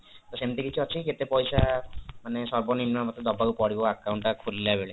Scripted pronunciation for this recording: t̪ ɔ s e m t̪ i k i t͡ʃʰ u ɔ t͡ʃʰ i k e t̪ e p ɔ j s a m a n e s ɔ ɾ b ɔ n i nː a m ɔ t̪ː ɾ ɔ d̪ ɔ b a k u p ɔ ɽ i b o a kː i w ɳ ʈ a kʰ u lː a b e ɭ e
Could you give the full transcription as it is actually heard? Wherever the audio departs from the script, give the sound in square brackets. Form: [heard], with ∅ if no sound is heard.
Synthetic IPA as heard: t̪ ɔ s e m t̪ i k i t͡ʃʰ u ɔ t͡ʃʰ i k e t̪ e p ɔ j s a m a n e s ɔ ɾ b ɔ n i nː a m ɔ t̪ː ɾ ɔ d̪ ɔ b a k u p ɔ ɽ i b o a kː [a] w ɳ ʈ a kʰ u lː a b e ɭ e

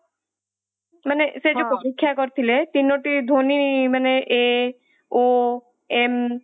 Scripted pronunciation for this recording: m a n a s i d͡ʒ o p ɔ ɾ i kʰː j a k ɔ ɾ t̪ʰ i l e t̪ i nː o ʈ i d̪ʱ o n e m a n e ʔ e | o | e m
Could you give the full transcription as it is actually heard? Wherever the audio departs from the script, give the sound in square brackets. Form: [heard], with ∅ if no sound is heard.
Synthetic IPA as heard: m a n [e] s [e] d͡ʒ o p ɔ ɾ i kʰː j a k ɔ ɾ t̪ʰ i l e t̪ i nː o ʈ i d̪ʱ o n [i] m a n e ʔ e | o | e m

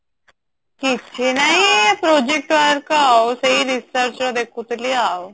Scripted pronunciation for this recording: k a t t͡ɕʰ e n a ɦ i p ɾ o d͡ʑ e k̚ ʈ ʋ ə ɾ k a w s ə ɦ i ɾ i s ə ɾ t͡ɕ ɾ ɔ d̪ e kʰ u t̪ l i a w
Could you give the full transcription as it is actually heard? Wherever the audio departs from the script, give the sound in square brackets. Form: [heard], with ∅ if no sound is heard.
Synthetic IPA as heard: k [i] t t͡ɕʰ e n a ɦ i p ɾ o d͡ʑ e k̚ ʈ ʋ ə ɾ k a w s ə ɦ i ɾ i s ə ɾ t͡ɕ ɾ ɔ d̪ e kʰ u t̪ l i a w

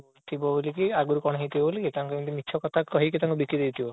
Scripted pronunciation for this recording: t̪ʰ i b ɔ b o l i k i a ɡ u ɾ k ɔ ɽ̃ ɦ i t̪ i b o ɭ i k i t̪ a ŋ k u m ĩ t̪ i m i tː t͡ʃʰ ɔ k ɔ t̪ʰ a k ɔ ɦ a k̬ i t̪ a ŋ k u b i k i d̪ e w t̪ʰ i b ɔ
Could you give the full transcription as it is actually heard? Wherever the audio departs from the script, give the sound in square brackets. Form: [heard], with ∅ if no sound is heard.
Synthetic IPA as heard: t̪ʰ i b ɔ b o l i k i a ɡ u ɾ k ɔ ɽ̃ ɦ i t̪ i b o [l] i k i t̪ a ŋ k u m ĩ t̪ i m i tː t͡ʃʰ ɔ k ɔ t̪ʰ a k ɔ ɦ [i] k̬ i t̪ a ŋ k u b i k i d̪ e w t̪ʰ i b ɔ

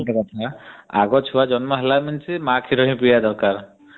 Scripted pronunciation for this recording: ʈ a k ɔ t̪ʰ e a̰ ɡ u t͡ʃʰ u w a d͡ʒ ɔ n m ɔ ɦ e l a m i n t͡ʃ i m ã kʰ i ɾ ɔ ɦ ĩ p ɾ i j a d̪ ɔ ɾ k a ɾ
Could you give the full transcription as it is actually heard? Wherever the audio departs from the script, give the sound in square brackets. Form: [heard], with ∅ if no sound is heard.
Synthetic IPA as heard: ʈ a k ɔ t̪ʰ [a] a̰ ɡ [ɔ] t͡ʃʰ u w a d͡ʒ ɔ n m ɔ ɦ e l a m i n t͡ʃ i m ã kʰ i ɾ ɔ ɦ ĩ p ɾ i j a d̪ ɔ ɾ k a ɾ

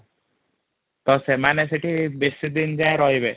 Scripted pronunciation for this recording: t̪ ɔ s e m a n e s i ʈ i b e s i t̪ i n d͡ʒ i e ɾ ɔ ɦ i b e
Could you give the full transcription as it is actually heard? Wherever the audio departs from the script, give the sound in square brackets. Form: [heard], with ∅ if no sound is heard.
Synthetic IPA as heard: t̪ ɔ s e m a n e s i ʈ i b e s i [d̪] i n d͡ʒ [a] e ɾ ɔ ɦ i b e

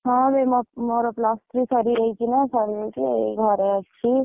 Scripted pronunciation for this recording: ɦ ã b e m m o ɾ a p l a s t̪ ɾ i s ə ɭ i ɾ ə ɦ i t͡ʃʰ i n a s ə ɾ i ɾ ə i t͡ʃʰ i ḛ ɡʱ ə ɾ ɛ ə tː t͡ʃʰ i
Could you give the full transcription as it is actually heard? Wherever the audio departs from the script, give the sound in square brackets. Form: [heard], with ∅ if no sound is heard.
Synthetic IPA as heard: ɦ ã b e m m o ɾ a p l a s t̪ ɾ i s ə [ɾ] i ɾ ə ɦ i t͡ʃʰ i n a s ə ɾ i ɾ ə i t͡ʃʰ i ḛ ɡʱ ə ɾ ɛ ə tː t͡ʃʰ i

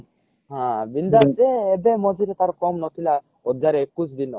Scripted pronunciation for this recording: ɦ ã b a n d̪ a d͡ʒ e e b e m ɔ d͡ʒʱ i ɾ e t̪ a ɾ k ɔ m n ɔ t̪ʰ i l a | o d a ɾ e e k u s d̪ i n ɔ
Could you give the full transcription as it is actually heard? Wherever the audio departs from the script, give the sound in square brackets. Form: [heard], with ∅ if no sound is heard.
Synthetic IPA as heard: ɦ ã b [i] n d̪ a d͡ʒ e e b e m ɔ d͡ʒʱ i ɾ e t̪ a ɾ k ɔ m n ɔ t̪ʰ i l a | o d a ɾ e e k u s d̪ i n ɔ

